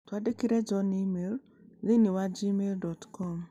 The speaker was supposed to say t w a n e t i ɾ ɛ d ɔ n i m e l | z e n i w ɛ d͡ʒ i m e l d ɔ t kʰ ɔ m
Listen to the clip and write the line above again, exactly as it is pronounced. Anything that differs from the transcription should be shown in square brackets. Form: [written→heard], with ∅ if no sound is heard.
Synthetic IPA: t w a [n→d] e [t→k] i ɾ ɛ [d→d͡ʒ] ɔ n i m e l | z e n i w [ɛ→a] d͡ʒ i m e l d ɔ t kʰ ɔ m